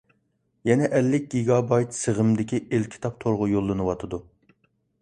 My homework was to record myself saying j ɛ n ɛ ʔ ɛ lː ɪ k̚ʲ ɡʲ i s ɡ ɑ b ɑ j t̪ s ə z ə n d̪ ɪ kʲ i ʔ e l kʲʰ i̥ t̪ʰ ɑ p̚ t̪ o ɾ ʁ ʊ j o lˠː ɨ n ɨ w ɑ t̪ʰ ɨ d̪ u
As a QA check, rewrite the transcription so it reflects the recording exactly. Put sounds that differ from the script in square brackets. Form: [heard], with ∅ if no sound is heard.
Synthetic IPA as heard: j ɛ n ɛ ʔ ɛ lː ɪ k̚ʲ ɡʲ i [∅] ɡ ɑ b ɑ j t̪ s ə [ʁ] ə [m] d̪ ɪ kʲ i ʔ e l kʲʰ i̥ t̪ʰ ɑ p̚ [t̪ʰ] o ɾ ʁ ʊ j o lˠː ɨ n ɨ w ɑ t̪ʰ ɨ d̪ u

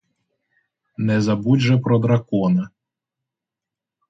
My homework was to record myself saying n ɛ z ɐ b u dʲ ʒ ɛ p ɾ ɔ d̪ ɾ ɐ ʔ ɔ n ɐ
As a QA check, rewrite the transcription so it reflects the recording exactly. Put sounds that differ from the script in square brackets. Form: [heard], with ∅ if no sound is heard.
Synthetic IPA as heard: n ɛ z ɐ b u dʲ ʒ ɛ p ɾ ɔ d̪ ɾ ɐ [k] ɔ n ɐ

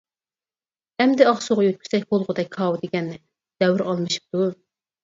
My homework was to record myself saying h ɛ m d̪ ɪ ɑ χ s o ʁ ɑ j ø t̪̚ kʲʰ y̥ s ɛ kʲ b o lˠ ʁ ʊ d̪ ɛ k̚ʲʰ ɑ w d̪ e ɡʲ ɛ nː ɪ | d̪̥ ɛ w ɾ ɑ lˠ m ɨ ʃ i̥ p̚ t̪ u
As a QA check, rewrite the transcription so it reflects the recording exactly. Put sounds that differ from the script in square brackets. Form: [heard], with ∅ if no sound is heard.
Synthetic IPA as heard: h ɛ m d̪ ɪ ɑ χ s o ʁ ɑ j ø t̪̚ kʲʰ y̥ s ɛ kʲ b o lˠ ʁ ʊ d̪ ɛ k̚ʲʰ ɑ w d̪ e ɡʲ ɛ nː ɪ | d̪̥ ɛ w ɾ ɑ lˠ m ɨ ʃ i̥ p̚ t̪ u

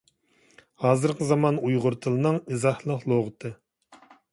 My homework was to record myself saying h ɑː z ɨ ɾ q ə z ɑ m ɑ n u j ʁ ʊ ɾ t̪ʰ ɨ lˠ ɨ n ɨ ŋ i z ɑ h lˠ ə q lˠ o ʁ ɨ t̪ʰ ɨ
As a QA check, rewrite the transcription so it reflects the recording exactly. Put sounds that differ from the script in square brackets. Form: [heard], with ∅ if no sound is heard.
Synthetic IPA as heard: h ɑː z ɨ ɾ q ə z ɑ m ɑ n u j ʁ ʊ ɾ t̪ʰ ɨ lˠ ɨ n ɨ ŋ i z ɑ h lˠ ə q lˠ o ʁ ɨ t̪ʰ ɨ

